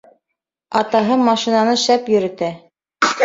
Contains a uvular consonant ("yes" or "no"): no